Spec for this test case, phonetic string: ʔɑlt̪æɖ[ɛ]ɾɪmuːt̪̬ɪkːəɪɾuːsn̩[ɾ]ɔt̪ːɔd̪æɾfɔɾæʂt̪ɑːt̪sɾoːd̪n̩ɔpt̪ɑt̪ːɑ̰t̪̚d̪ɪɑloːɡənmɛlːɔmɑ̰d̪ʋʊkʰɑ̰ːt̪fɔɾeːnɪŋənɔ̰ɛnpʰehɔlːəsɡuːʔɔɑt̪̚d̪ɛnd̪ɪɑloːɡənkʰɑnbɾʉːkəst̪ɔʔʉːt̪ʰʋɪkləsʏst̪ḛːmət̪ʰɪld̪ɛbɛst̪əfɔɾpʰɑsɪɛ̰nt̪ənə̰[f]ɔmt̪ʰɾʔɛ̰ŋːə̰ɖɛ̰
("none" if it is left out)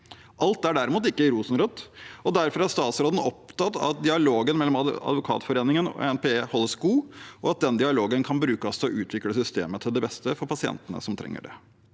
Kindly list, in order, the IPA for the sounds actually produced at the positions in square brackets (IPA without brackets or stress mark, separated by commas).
æ, ɾ, s